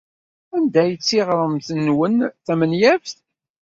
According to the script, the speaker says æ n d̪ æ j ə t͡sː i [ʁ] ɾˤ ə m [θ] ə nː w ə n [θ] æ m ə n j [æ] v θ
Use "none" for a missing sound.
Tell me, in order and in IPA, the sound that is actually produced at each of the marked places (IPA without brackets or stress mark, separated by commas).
ʁ, θ, θ, æ